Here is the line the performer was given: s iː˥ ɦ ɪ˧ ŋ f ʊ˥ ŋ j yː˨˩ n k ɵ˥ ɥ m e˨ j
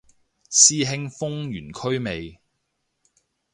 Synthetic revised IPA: s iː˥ ɦ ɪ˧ ŋ f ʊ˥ ŋ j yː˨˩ n kʰ ɵ˥ ɥ m e˨ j